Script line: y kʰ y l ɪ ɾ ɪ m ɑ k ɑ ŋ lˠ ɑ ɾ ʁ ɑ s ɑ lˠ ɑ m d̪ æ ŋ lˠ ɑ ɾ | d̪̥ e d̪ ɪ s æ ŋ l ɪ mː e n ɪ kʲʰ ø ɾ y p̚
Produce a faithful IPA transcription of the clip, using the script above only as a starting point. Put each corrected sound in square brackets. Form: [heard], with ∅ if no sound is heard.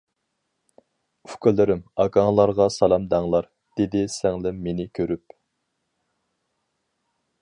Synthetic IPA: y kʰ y l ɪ ɾ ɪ m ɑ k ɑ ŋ lˠ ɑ ɾ ʁ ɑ s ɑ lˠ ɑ m d̪ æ ŋ lˠ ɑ ɾ | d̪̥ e d̪ ɪ s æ ŋ l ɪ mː e n ɪ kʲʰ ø ɾ y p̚